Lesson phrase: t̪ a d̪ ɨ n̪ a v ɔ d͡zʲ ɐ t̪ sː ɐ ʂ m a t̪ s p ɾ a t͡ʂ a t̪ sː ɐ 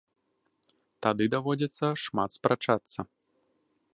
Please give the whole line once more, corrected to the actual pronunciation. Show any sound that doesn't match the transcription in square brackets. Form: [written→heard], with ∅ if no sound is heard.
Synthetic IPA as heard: t̪ a d̪ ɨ [n̪→d̪] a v ɔ d͡zʲ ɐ t̪ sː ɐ ʂ m a t̪ s p ɾ a t͡ʂ a t̪ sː ɐ